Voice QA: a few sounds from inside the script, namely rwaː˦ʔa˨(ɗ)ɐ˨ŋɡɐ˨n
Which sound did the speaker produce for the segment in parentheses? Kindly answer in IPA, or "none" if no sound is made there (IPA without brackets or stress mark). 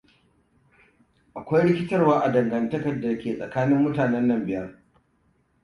d